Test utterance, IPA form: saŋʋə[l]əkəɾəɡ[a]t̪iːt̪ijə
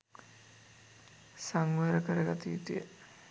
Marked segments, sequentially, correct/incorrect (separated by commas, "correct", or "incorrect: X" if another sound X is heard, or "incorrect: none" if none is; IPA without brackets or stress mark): incorrect: ɾ, correct